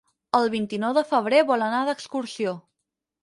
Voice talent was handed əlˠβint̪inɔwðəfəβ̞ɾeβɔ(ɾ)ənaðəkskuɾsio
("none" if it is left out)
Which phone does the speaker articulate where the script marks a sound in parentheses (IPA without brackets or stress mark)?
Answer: l